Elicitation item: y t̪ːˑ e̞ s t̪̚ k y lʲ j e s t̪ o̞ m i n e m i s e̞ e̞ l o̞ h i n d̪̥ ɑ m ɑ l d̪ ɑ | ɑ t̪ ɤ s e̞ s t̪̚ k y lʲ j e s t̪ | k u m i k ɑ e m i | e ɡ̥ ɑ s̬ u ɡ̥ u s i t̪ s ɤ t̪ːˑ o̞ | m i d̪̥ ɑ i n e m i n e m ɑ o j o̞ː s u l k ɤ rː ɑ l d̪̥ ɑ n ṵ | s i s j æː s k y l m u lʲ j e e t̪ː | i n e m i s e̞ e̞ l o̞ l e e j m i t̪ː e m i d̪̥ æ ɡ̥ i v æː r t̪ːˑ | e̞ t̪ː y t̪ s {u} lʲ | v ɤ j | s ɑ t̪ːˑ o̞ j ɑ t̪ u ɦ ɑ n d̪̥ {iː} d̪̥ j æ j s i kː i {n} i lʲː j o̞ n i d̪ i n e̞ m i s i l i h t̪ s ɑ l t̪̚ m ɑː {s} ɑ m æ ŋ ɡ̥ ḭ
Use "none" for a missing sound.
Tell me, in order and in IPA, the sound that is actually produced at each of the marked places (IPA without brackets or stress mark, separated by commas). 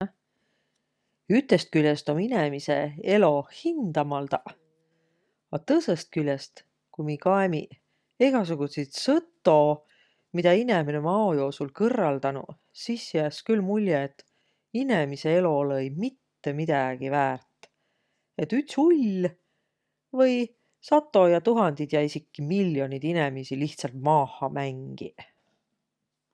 u, i, m, h